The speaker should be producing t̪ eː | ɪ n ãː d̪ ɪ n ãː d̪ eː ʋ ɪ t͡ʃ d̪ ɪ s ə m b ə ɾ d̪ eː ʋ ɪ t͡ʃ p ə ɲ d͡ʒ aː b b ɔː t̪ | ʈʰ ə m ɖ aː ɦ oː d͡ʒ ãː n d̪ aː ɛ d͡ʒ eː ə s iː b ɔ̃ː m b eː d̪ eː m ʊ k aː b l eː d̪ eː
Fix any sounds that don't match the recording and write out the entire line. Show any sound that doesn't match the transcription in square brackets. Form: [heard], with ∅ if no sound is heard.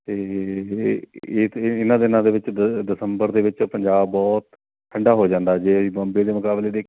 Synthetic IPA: t̪ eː | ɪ n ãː d̪ ɪ n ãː d̪ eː ʋ ɪ t͡ʃ d̪ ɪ s ə m b ə ɾ d̪ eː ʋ ɪ t͡ʃ p ə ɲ d͡ʒ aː b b ɔː t̪ | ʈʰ ə [ɳ] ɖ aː ɦ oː d͡ʒ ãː n d̪ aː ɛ d͡ʒ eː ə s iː b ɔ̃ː m b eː d̪ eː m ʊ k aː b l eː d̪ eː